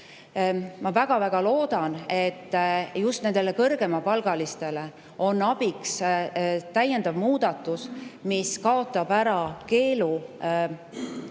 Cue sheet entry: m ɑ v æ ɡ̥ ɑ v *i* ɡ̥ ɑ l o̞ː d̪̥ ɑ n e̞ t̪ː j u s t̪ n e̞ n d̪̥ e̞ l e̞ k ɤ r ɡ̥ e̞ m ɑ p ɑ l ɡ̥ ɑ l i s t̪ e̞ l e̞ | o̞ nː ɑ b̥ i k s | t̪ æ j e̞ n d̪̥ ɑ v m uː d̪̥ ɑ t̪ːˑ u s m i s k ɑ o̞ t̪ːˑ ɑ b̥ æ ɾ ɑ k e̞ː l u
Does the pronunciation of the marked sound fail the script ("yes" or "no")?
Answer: yes